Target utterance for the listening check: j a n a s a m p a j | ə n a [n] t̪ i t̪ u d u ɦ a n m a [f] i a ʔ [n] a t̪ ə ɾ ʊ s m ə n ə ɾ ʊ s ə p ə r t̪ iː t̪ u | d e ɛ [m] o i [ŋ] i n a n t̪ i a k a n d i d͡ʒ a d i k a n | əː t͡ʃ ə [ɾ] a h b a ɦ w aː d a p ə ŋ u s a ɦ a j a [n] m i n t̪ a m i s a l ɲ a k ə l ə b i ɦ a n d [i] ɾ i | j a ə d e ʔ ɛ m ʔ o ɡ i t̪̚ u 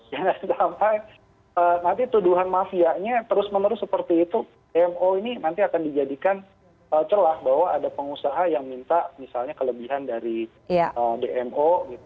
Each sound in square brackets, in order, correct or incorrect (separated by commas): correct, correct, incorrect, correct, incorrect, incorrect, incorrect, incorrect